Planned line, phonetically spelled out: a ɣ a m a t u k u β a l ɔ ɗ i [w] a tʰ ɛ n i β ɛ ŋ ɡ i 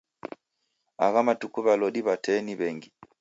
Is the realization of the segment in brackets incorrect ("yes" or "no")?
yes